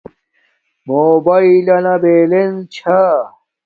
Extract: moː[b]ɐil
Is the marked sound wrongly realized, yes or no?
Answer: no